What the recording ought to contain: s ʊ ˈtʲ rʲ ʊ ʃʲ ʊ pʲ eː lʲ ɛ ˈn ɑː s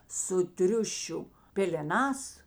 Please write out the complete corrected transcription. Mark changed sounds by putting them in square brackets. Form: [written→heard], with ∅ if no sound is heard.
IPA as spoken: s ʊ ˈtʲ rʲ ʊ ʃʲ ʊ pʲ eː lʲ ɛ ˈn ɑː s